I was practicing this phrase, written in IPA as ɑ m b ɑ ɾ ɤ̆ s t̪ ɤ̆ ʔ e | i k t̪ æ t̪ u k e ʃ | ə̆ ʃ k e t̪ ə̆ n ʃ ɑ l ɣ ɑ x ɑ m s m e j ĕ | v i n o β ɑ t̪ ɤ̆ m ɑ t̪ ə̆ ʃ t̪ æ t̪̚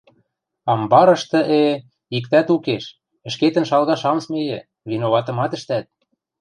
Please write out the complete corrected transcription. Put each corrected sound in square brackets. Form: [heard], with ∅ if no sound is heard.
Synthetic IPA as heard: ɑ m b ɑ ɾ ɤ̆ [ʃ] t̪ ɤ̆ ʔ e | i k t̪ æ t̪ u k e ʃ | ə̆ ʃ k e t̪ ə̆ n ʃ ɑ l ɣ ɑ [ʃ] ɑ m s m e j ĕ | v i n o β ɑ t̪ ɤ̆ m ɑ t̪ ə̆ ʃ t̪ æ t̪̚